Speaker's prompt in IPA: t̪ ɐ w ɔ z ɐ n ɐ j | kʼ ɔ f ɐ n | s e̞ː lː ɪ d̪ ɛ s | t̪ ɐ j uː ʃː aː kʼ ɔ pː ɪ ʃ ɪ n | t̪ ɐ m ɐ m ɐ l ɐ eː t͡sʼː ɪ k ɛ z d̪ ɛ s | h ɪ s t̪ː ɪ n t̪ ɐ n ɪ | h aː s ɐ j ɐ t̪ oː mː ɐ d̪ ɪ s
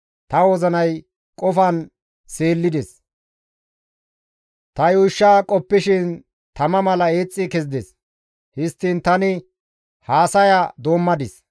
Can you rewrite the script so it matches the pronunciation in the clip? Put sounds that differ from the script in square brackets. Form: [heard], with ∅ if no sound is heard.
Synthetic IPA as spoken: t̪ ɐ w ɔ z ɐ n ɐ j | kʼ ɔ f ɐ n | s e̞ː lː ɪ d̪ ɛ s | t̪ ɐ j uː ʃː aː kʼ ɔ pː ɪ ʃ ɪ n | t̪ ɐ m ɐ m ɐ l ɐ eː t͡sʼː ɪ k ɛ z d̪ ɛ s | h ɪ s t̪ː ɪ n t̪ ɐ n ɪ | h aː s ɐ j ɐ [d̪] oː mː ɐ d̪ ɪ s